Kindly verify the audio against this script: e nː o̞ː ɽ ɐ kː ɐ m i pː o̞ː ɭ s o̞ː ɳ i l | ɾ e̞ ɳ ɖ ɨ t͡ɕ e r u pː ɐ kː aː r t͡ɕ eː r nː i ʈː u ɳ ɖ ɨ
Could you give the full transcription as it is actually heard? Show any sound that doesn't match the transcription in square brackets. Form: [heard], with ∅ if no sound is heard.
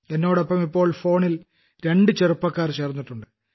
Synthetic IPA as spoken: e nː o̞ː ɽ ɐ [pː] ɐ m i pː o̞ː ɭ [f] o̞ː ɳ i l | ɾ e̞ ɳ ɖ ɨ t͡ɕ e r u pː ɐ kː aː r t͡ɕ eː r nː i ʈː u ɳ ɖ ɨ

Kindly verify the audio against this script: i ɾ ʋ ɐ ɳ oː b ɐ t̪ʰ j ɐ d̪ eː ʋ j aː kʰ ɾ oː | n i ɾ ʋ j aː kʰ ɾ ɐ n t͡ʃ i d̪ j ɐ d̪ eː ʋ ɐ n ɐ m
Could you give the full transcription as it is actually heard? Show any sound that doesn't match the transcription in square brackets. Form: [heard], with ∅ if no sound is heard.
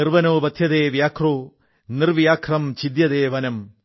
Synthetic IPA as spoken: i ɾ ʋ ɐ [n] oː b ɐ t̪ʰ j ɐ d̪ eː ʋ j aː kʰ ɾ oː | n i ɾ ʋ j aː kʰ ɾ ɐ [m] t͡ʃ i d̪ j ɐ d̪ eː ʋ ɐ n ɐ m

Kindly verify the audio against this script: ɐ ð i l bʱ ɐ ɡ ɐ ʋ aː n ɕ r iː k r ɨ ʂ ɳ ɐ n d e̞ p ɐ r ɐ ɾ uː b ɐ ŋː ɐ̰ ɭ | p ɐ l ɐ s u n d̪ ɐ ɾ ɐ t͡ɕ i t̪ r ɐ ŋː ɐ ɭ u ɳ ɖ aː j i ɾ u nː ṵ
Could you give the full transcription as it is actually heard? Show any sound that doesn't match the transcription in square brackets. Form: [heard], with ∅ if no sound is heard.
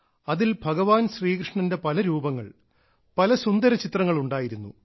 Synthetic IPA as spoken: ɐ ð i l bʱ ɐ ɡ ɐ ʋ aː n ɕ r iː k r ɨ ʂ ɳ ɐ n d e̞ p ɐ [l] ɐ ɾ uː b ɐ ŋː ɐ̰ ɭ | p ɐ l ɐ s u n d̪ ɐ ɾ ɐ t͡ɕ i t̪ r ɐ ŋː ɐ ɭ u ɳ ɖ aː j i ɾ u nː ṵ

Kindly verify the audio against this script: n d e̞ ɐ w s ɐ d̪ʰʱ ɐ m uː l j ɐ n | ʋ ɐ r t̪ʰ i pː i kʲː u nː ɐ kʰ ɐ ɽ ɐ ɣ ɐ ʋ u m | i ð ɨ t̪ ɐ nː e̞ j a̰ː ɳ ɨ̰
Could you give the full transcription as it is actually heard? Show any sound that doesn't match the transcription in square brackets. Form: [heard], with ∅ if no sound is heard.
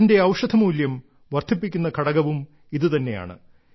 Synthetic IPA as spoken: n d e̞ ɐ w [ʂ] ɐ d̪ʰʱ ɐ m uː l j ɐ [m] | ʋ ɐ r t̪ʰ i pː i kʲː u nː ɐ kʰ ɐ ɽ ɐ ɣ ɐ ʋ u m | i ð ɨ t̪ ɐ nː e̞ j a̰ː ɳ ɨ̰

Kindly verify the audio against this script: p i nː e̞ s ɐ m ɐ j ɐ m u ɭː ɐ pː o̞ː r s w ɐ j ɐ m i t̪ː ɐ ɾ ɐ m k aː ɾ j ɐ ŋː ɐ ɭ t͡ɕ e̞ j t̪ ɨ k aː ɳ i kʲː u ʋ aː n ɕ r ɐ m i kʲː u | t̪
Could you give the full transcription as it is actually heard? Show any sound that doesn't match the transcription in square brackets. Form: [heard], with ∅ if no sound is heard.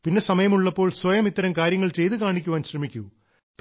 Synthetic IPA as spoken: p i nː e̞ s ɐ m ɐ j ɐ m u ɭː ɐ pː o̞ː [ɭ] s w ɐ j ɐ m i t̪ː ɐ ɾ ɐ m k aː ɾ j ɐ ŋː ɐ ɭ t͡ɕ e̞ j t̪ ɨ k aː ɳ i kʲː u ʋ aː n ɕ r ɐ m i kʲː u | t̪

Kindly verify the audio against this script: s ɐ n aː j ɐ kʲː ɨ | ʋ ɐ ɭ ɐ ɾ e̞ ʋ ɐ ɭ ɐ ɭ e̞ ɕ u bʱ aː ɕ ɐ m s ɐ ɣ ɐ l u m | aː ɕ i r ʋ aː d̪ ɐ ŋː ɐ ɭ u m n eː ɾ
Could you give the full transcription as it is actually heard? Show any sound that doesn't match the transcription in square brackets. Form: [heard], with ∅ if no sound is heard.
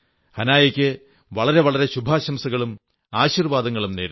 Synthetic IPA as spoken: [h] ɐ n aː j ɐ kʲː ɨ | ʋ ɐ ɭ ɐ ɾ e̞ ʋ ɐ ɭ ɐ [ɾ] e̞ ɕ u bʱ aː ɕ ɐ m s ɐ ɣ ɐ [ɭ] u m | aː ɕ i r ʋ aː d̪ ɐ ŋː ɐ ɭ u m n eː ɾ

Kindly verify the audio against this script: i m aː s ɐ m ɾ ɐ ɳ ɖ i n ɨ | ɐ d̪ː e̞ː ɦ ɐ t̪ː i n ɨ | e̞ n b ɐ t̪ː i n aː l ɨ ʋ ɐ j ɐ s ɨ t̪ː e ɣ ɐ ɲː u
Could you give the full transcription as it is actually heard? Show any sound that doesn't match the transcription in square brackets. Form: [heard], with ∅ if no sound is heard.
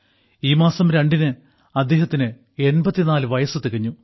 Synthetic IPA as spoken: [iː] m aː s ɐ m ɾ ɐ ɳ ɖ i n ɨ | ɐ d̪ː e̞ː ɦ ɐ t̪ː i n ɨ | e̞ n b ɐ t̪ː i n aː l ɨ ʋ ɐ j ɐ s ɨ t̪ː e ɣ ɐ ɲː u

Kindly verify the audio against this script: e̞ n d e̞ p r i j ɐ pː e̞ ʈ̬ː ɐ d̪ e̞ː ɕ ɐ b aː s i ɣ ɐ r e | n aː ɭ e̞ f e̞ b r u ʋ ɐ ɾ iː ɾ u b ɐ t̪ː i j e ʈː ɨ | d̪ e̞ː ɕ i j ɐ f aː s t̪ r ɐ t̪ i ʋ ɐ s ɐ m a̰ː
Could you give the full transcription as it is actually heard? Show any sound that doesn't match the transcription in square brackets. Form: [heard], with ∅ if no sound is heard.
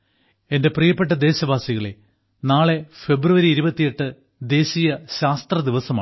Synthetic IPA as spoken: e̞ n d e̞ p r i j ɐ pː e̞ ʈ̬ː ɐ d̪ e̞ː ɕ ɐ b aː s i ɣ ɐ [ɭ] e | n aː ɭ e̞ f e̞ b r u ʋ ɐ ɾ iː ɾ u b ɐ t̪ː i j e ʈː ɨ | d̪ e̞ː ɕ i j ɐ [ɕ] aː s t̪ r ɐ [d̪] i ʋ ɐ s ɐ m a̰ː

